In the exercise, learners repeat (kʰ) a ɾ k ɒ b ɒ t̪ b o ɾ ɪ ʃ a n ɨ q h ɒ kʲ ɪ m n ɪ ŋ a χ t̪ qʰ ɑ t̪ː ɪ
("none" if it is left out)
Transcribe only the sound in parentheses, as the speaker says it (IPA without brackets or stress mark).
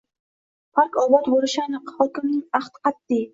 pʰ